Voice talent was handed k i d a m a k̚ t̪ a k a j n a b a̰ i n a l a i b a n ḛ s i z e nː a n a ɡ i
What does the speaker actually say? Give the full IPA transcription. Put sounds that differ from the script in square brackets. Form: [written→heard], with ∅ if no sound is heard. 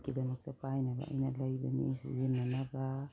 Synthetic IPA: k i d a m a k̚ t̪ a [k→p] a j n a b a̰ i n a l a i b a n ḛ s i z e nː a n a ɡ [i→a]